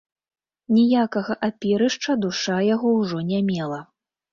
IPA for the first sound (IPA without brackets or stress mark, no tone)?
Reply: nʲ